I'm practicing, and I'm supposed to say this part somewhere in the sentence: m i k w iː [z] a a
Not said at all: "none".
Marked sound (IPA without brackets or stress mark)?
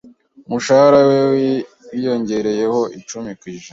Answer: ʒ